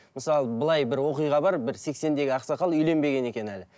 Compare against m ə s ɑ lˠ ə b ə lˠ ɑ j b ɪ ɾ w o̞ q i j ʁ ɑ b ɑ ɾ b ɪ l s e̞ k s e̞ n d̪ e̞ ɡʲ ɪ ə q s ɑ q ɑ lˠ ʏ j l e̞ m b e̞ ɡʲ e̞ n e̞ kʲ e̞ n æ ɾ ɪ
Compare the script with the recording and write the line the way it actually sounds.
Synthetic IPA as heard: m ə s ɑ lˠ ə b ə lˠ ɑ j b ɪ ɾ w o̞ q i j ʁ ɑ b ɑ ɾ b ɪ ɾ s e̞ k s e̞ n d̪ e̞ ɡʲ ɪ ɑ q s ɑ q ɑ lˠ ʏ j l e̞ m b e̞ ɡʲ e̞ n e̞ kʲ e̞ n æ l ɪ